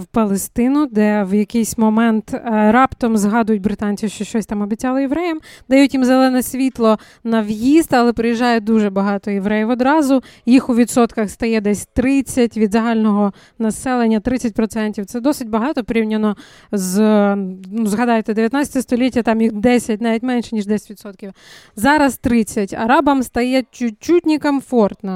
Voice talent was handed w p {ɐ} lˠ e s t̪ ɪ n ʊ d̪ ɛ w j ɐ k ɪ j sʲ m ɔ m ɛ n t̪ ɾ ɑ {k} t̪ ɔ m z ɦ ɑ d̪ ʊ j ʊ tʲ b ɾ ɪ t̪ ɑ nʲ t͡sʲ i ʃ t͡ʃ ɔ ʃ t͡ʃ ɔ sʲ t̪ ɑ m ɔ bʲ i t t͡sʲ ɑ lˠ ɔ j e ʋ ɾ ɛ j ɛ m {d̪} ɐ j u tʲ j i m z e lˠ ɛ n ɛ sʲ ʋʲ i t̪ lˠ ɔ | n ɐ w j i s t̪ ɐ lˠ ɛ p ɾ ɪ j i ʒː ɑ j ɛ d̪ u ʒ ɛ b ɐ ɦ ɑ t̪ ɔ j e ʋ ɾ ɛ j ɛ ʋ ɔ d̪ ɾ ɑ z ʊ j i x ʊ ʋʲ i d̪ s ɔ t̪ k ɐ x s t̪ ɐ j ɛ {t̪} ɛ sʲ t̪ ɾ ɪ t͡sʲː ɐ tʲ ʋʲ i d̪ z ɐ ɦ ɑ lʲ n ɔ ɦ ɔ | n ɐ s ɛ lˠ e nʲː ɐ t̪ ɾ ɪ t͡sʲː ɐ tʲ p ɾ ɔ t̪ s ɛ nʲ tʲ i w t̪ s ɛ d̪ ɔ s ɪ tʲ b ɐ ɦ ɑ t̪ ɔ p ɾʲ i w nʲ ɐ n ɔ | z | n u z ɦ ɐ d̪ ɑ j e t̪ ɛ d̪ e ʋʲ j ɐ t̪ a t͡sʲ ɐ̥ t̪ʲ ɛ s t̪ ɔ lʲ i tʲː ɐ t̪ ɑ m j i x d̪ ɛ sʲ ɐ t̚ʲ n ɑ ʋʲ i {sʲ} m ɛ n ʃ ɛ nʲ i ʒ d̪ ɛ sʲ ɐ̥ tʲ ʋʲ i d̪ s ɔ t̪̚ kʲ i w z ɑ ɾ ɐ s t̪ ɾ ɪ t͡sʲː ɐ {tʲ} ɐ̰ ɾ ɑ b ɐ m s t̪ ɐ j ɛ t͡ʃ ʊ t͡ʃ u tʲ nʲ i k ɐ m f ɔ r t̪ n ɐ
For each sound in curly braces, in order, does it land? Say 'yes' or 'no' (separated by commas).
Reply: yes, no, yes, no, no, yes